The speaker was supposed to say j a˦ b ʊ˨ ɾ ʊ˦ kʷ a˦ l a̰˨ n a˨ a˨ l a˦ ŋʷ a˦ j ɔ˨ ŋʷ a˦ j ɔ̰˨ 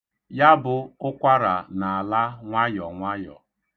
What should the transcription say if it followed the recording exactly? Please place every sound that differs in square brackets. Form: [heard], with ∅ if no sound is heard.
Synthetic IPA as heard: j a˦ b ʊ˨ [∅] ʊ˦ kʷ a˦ [ɾ] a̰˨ n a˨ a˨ l a˦ ŋʷ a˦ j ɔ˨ ŋʷ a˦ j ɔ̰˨